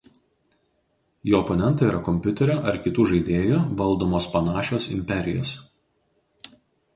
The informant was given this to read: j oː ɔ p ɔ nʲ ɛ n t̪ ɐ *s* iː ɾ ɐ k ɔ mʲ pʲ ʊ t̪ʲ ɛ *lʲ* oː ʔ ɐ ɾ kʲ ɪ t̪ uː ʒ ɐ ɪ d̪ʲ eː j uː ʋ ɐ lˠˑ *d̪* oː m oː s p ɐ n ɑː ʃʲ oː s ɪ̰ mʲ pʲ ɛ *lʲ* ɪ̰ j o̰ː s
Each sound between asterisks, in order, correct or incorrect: incorrect, incorrect, correct, incorrect

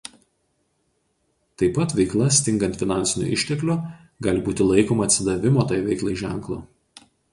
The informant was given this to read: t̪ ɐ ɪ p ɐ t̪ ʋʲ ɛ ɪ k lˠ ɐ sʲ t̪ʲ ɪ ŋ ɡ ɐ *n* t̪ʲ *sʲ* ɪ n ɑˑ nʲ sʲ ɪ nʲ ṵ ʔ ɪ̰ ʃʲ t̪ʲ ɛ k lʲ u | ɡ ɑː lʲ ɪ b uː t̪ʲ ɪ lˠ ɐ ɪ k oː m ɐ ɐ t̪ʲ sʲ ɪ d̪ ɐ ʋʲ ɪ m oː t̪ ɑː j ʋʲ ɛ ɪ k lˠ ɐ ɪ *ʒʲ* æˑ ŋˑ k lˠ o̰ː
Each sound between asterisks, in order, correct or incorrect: correct, incorrect, correct

